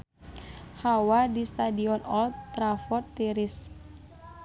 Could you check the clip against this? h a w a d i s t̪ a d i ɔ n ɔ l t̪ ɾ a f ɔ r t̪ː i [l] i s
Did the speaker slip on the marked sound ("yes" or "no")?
yes